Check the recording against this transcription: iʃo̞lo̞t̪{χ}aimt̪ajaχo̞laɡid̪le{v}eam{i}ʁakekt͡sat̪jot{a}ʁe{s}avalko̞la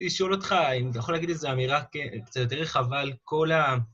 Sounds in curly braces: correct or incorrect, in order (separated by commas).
correct, incorrect, correct, incorrect, incorrect